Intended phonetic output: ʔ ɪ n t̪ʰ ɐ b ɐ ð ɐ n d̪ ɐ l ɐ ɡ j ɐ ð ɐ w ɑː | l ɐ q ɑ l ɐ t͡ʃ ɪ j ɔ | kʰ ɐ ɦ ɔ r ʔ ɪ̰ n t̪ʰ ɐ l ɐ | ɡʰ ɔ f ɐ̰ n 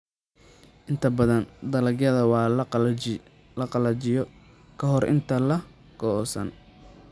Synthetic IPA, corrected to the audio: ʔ ɪ n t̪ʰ ɐ b ɐ ð ɐ n d̪ ɐ l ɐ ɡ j ɐ ð ɐ w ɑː | l ɐ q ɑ l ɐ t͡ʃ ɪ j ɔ | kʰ ɐ ɦ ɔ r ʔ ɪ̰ n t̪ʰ ɐ l ɐ | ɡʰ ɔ s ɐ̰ n